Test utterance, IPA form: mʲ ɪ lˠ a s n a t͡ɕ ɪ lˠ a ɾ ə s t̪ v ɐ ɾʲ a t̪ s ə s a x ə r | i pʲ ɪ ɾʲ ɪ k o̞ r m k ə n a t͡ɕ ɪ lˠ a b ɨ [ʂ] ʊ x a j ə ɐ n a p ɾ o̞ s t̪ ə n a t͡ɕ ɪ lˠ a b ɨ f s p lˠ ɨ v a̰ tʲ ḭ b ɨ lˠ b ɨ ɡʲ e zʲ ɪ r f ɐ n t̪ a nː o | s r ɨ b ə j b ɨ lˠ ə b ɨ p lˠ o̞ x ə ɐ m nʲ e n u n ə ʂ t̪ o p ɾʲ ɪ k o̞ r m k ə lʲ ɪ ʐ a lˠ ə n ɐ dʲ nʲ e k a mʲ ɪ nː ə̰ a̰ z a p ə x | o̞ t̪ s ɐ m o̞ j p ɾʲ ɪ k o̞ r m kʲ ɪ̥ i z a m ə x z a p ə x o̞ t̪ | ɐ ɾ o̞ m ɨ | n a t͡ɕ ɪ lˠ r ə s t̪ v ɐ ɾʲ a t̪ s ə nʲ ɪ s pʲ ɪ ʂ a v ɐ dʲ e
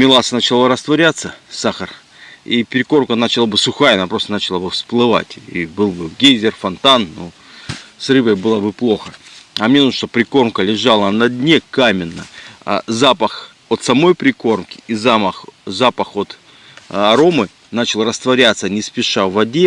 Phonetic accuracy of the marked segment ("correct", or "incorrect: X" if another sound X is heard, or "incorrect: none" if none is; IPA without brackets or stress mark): incorrect: s